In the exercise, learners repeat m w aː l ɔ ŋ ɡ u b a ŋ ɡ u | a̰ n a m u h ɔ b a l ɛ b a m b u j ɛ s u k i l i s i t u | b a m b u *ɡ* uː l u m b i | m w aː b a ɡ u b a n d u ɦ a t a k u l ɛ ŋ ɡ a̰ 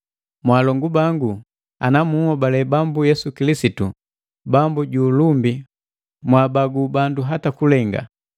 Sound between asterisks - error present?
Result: yes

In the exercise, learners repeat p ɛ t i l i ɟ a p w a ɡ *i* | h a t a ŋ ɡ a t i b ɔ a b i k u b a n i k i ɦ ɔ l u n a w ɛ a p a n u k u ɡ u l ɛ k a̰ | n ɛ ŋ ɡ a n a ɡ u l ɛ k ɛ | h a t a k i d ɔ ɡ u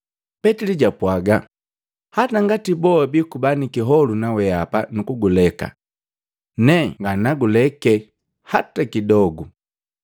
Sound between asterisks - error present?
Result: yes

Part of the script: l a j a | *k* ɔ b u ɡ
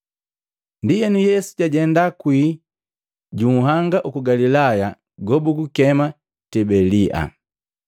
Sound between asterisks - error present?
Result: yes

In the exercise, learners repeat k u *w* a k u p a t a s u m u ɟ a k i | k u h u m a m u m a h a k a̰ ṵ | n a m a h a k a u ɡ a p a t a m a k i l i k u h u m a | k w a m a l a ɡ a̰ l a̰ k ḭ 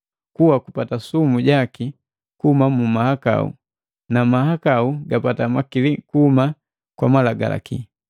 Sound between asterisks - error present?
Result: no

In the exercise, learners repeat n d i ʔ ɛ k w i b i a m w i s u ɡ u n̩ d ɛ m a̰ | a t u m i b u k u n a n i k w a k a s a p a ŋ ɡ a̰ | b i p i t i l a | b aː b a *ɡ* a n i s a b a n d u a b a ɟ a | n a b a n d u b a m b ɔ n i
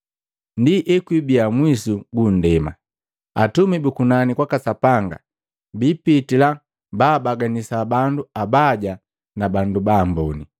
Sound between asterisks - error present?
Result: no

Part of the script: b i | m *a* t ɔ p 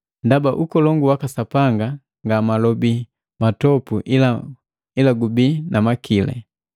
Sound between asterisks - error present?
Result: no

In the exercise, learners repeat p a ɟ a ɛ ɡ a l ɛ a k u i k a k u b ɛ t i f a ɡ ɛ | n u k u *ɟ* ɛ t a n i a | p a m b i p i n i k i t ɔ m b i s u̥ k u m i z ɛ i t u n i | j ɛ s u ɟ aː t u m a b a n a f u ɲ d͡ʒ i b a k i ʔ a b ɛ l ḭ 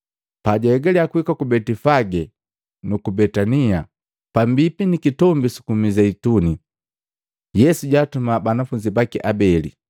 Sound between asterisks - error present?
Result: yes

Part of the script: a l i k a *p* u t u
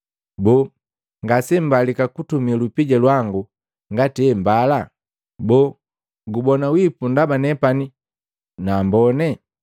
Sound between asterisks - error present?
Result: yes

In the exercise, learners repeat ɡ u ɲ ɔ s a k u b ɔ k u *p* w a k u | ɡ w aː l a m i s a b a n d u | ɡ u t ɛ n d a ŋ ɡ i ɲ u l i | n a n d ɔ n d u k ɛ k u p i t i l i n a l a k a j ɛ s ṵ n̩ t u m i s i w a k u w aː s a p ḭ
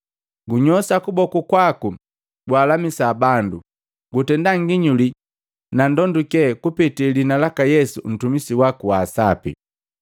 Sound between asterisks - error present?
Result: yes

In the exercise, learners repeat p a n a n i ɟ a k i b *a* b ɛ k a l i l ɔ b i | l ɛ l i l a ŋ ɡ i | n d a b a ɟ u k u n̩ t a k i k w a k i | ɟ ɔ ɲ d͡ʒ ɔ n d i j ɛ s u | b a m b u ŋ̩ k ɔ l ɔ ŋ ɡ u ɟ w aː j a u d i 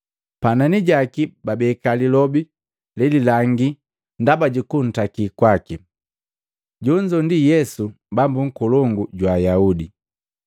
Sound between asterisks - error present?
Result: no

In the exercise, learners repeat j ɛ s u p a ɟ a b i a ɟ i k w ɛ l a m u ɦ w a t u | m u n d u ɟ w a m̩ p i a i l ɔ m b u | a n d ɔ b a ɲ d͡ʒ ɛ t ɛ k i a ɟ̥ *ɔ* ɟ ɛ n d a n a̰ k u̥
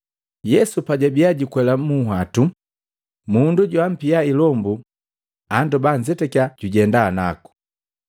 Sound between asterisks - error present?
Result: yes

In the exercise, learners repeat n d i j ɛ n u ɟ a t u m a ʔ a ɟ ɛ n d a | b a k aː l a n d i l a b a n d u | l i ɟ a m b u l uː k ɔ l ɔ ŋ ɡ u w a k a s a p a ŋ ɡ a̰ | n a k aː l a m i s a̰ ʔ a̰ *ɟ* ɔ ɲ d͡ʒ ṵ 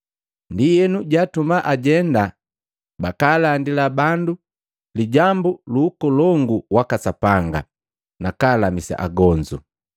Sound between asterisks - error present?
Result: yes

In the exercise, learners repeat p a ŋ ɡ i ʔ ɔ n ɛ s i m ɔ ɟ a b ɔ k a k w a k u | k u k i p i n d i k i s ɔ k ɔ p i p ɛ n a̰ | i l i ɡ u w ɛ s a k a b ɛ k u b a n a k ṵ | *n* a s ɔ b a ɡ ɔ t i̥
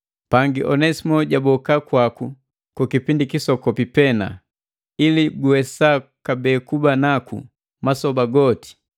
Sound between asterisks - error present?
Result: yes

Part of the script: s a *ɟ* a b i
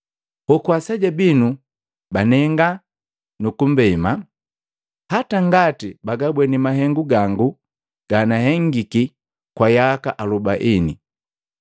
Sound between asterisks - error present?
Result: no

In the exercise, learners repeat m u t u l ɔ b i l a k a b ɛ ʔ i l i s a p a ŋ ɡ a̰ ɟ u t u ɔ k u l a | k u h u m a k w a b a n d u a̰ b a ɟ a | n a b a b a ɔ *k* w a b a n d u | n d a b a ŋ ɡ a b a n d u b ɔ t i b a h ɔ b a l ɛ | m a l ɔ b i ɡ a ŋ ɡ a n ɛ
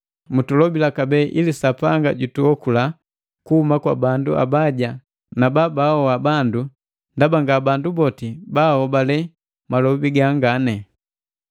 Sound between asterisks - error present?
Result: yes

